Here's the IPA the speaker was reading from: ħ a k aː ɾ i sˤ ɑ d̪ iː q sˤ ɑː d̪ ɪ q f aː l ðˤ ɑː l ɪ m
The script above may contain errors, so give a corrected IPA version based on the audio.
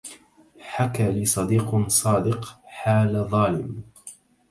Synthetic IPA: ħ a k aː l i sˤ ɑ d̪ iː q sˤ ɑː d̪ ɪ q ħ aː l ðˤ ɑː l ɪ m

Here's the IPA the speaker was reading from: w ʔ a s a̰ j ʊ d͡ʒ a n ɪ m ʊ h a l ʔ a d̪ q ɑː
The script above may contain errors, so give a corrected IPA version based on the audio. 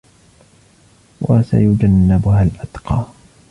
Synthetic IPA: w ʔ a s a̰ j ʊ d͡ʒ a nː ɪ b ʊ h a l ʔ a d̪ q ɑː

